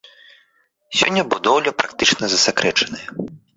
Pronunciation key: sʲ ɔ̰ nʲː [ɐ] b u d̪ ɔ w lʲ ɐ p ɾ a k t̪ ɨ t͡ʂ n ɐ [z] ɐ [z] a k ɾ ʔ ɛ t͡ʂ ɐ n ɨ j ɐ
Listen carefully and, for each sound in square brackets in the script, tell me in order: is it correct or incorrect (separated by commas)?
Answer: correct, correct, incorrect